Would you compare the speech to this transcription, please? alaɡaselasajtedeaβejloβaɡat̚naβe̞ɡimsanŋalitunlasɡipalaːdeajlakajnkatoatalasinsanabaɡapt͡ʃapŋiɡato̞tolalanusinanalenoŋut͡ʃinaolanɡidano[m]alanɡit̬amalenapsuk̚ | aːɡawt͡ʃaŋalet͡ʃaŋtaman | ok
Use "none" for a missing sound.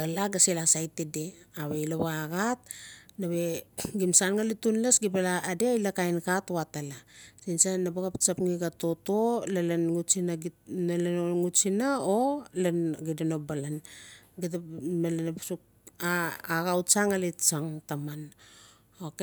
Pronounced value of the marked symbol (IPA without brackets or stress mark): b